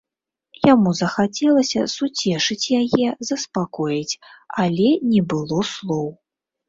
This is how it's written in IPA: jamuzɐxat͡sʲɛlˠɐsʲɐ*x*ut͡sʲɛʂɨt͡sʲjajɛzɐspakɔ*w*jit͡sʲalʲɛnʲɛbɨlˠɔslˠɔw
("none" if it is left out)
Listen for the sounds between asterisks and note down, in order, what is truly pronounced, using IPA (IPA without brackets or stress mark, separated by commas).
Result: s, none